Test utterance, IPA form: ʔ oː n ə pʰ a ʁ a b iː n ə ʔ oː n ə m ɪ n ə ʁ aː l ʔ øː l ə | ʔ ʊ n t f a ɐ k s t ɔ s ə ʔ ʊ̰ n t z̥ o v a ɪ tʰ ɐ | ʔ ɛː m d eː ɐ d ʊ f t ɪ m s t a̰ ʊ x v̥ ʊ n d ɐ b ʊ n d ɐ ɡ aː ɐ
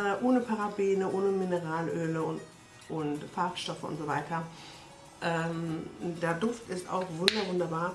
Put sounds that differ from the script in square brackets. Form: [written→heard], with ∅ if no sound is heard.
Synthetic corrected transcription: ʔ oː n ə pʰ a ʁ a b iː n ə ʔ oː n ə m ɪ n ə ʁ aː l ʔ øː l ə | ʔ ʊ n t f a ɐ k [s→ʃ] t ɔ [s→f] ə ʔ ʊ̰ n t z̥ o v a ɪ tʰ ɐ | ʔ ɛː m d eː ɐ d ʊ f t ɪ [m→∅] s t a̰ ʊ x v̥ ʊ n d ɐ [b→v] ʊ n d ɐ [ɡ→b] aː ɐ